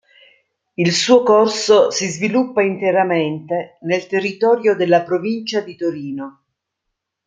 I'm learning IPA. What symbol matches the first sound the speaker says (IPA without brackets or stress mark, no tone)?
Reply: i